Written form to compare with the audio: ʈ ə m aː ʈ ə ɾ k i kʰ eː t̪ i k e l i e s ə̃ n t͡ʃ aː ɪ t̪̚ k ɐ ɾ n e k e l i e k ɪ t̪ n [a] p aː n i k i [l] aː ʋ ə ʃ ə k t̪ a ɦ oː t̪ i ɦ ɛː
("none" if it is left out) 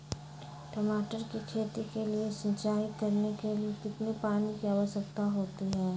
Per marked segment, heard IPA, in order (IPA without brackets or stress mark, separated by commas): e, none